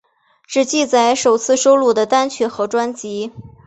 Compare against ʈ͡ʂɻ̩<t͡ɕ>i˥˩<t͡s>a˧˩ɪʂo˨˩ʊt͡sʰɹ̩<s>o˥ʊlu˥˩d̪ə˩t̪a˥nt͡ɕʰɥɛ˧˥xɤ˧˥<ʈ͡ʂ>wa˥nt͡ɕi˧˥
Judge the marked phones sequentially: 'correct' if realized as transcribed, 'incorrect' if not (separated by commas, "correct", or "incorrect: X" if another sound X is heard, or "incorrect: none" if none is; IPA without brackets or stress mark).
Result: correct, correct, incorrect: ʂ, correct